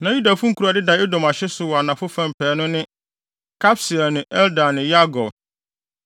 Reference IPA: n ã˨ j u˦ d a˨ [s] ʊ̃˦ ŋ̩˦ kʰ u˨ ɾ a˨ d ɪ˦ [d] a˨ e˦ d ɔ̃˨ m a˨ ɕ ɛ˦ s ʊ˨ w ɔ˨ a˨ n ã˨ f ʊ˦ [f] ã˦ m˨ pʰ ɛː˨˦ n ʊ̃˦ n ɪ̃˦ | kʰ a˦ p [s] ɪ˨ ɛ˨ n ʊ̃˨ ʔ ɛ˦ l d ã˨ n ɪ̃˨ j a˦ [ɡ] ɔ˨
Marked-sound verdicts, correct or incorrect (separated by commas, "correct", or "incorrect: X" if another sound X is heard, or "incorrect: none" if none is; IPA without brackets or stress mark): incorrect: f, correct, correct, correct, correct